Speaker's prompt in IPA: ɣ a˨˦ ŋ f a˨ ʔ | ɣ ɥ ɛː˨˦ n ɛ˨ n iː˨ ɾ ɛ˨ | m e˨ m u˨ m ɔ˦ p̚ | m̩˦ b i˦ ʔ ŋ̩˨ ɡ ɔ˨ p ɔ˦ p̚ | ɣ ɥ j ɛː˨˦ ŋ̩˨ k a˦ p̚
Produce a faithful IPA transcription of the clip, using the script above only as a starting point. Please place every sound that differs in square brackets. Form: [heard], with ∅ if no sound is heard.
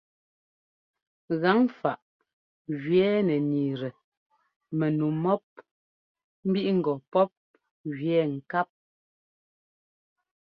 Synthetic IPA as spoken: ɣ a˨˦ ŋ f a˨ ʔ | ɣ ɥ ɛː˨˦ n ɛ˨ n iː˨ ɾ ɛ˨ | m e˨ [n] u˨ m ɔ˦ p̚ | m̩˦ b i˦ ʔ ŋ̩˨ ɡ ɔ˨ p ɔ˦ p̚ | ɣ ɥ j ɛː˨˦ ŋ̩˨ k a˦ p̚